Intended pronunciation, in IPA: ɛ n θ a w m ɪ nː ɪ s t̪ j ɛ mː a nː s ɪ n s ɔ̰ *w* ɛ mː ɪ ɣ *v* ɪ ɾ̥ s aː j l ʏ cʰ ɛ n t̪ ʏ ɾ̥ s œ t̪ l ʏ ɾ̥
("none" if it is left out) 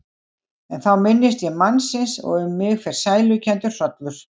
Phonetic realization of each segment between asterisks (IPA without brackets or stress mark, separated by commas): ɣ, f